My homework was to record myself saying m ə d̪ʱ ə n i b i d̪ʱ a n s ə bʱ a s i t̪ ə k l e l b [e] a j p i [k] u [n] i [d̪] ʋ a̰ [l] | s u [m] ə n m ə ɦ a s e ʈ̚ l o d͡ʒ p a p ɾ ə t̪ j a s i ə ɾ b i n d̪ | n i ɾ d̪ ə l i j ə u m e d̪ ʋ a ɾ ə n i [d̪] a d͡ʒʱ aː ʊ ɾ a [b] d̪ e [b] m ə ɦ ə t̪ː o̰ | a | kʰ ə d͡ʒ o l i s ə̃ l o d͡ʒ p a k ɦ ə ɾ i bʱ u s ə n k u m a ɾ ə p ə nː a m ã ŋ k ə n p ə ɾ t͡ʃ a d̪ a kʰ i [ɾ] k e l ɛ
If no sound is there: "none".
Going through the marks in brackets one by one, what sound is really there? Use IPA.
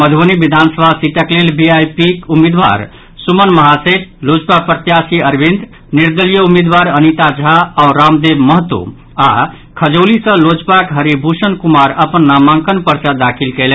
i, k, m, d̪, ɾ, m, t̪, m, b, l

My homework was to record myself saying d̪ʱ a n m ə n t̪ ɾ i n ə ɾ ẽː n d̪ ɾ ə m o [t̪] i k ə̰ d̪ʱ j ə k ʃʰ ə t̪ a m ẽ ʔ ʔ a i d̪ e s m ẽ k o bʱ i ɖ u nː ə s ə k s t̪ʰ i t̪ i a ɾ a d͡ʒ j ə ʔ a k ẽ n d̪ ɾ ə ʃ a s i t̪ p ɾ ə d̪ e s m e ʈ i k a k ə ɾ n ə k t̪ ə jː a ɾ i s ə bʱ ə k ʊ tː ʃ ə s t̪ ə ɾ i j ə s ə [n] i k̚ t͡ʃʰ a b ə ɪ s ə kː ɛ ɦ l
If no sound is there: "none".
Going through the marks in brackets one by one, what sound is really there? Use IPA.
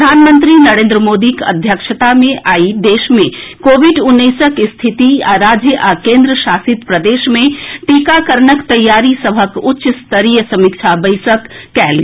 d̪, m

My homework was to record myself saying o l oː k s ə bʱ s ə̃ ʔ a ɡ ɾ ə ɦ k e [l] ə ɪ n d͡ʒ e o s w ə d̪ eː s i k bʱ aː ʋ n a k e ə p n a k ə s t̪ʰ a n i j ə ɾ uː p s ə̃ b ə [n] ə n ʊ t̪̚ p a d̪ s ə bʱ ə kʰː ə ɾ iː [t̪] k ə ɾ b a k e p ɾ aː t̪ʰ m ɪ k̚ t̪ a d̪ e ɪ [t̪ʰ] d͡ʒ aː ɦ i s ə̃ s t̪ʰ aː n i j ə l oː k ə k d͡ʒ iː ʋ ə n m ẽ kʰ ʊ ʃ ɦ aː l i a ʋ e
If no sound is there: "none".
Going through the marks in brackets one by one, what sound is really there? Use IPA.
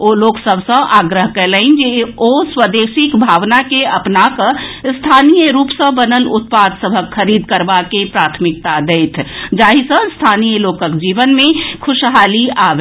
l, n, d̪, t̪ʰ

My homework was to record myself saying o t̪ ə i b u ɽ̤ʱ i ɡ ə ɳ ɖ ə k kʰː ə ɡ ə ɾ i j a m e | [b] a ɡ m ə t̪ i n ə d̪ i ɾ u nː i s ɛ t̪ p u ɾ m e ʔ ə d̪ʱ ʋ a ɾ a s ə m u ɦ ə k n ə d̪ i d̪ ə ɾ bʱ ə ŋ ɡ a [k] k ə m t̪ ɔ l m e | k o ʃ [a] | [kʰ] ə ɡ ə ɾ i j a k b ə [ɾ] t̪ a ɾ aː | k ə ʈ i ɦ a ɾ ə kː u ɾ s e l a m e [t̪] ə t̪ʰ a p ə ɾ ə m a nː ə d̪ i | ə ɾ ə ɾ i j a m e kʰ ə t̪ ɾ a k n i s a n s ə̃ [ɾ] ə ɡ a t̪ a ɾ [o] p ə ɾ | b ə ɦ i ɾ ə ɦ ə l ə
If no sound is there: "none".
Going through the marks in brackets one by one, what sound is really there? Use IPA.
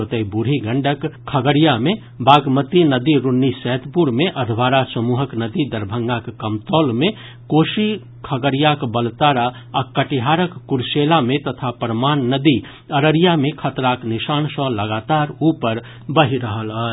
b, k, i, kʰ, l, t̪, l, u

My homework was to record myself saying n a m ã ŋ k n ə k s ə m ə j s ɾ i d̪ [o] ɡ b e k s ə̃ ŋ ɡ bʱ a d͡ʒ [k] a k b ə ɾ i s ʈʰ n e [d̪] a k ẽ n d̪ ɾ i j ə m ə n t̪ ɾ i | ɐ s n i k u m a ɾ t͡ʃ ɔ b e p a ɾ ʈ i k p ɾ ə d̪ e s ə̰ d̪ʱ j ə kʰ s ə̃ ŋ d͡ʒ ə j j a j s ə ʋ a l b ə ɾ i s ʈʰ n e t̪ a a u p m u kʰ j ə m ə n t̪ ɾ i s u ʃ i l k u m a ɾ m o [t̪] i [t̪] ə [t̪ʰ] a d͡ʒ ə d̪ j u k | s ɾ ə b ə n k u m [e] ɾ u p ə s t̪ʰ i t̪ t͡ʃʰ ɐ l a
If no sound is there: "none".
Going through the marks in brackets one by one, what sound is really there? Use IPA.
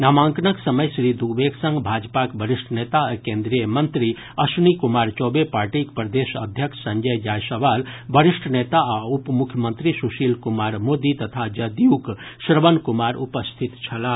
u, p, t̪, d̪, t̪, t̪ʰ, a

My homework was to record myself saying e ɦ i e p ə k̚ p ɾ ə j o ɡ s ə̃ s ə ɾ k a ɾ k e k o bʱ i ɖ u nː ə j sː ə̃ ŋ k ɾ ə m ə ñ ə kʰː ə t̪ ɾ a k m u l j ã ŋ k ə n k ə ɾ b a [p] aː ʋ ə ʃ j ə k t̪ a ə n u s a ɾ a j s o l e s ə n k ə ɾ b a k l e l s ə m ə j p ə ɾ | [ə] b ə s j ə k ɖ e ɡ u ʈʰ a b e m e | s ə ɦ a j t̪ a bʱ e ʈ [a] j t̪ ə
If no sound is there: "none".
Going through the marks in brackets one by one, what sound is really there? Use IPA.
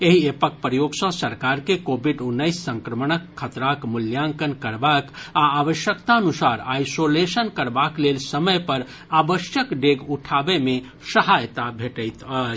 k, a, ə

